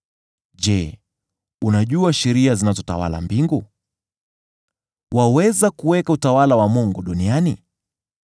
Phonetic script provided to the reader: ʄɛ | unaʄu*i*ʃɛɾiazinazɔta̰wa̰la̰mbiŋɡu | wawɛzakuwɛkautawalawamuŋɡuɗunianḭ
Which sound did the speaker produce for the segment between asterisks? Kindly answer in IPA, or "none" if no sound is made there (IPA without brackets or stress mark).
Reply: a